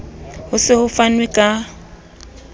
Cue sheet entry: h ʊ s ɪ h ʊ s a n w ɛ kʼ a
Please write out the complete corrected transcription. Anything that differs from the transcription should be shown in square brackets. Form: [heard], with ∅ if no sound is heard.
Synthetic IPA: h ʊ s ɪ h ʊ [f] a n w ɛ kʼ a